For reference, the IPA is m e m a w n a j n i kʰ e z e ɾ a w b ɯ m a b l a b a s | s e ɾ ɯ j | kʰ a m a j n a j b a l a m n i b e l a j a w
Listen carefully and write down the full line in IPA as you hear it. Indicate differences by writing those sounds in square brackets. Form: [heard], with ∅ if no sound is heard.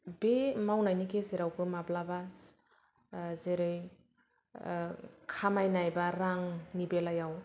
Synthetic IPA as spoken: [b] e m a w n a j n i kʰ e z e ɾ a w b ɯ m a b l a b a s | [z] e ɾ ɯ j | kʰ a m a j n a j b a [ɾ] a [ŋ] n i b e l a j a w